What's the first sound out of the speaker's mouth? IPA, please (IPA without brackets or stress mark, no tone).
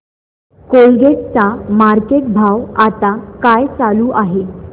k